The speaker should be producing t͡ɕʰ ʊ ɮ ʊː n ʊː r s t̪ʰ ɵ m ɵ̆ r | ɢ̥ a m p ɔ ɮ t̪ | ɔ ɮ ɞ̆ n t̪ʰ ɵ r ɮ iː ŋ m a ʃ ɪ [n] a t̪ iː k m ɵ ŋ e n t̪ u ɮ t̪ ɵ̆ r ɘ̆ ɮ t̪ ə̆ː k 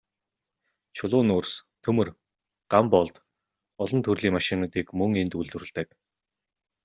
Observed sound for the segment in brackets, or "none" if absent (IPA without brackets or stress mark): n